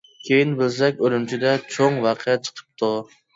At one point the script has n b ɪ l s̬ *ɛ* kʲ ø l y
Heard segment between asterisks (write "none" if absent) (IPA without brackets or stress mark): ɛ